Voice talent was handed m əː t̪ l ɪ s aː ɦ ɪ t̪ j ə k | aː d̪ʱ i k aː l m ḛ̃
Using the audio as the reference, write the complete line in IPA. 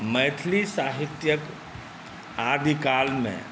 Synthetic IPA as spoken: m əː t̪ʰ l i s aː ɦ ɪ t̪ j ə k | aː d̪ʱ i k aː l m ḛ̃